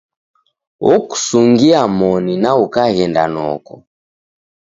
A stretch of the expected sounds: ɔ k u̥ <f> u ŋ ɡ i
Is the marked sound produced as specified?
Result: no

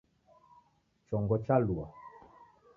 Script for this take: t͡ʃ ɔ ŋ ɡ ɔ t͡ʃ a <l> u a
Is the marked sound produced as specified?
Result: yes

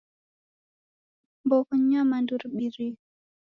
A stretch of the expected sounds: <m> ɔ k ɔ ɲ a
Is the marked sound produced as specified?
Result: no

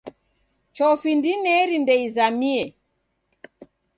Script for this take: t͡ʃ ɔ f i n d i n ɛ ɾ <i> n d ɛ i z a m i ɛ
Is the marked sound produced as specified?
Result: yes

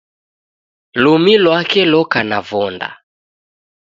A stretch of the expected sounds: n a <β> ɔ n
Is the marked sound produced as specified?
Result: no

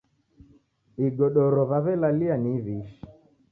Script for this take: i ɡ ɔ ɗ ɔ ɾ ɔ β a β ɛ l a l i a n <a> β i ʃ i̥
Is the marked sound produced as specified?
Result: no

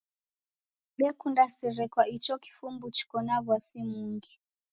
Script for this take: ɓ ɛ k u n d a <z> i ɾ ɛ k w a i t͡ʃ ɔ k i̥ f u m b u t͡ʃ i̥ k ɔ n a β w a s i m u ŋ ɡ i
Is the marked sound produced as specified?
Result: no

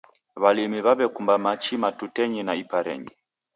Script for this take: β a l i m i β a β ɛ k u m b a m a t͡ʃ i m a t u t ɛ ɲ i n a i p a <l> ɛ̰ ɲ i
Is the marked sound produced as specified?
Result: no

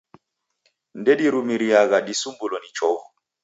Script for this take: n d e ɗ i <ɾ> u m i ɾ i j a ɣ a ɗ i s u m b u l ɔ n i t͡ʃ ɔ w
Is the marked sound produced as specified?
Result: yes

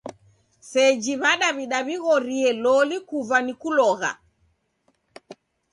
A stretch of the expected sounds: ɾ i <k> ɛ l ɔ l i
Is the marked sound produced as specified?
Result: no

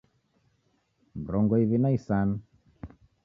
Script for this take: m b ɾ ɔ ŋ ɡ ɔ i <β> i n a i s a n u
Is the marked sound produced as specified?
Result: yes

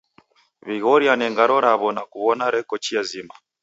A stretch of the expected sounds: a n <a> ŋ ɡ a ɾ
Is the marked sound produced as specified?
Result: no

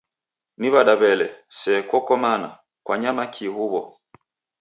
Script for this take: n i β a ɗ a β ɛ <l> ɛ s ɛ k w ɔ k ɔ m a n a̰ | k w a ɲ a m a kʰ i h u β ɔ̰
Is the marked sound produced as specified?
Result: yes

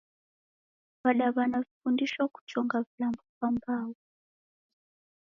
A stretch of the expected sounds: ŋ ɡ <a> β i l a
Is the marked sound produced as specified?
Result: yes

